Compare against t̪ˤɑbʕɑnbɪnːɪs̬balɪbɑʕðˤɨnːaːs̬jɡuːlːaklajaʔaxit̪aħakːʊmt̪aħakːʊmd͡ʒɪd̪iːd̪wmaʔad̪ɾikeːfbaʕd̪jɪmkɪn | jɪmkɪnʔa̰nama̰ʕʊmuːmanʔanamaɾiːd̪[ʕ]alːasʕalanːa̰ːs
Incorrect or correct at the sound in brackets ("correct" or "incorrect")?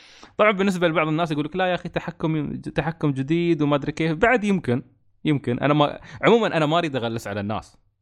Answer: incorrect